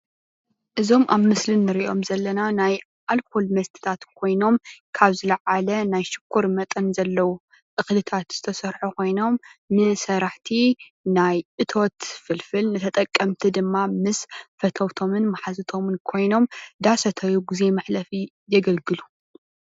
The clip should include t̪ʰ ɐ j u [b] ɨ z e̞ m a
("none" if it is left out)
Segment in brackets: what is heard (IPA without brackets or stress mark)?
ɡ